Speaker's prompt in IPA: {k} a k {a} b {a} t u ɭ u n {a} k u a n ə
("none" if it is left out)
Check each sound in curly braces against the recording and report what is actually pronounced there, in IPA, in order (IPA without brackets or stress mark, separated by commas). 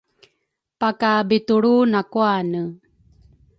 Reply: p, a, i, a